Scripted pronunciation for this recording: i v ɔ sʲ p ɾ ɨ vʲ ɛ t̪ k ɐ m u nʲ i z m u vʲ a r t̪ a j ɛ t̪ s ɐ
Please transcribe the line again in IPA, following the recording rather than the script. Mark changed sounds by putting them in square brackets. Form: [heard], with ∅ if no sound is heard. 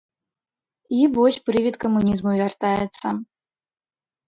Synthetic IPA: i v ɔ sʲ p ɾ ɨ vʲ [i] t̪ k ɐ m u nʲ i z m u vʲ a r t̪ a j ɛ t̪ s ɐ